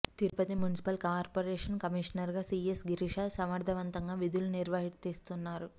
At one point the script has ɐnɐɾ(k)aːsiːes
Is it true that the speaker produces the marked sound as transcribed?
no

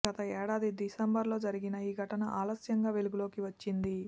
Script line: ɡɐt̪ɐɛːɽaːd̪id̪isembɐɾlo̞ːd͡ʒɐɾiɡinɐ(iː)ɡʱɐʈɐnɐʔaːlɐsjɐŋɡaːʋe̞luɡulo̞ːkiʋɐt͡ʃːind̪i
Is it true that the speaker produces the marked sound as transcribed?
yes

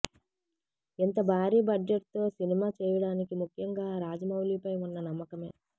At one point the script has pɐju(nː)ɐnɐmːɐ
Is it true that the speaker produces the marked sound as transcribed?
yes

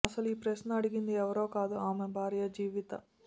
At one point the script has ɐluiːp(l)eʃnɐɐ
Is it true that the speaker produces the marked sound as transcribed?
no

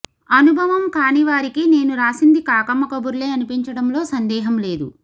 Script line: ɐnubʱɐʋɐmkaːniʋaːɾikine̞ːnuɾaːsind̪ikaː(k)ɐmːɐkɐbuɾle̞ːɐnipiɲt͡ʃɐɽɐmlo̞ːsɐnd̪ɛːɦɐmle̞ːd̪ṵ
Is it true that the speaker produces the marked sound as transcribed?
yes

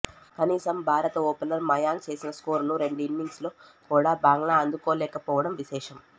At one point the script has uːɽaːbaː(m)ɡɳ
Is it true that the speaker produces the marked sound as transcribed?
no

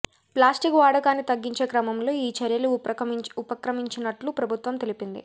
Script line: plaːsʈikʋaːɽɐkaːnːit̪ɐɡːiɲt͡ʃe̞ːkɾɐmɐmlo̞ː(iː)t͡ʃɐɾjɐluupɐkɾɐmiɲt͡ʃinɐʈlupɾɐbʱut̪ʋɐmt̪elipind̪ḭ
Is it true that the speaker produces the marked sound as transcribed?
yes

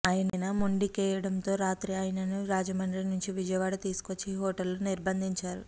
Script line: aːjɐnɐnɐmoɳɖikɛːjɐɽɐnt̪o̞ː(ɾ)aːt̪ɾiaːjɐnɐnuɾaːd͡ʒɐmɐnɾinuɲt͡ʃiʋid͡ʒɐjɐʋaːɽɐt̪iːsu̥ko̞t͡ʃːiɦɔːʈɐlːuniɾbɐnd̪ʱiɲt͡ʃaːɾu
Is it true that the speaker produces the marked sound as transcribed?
yes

